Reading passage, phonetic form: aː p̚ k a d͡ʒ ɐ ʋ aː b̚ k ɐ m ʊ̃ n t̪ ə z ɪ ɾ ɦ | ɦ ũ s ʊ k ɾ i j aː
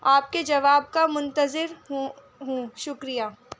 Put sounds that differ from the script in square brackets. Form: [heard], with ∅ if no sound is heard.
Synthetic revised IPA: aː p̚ k [e] d͡ʒ ɐ ʋ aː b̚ k [a] m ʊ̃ n t̪ ə z ɪ ɾ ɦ | ɦ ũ [ʃ] ʊ k ɾ i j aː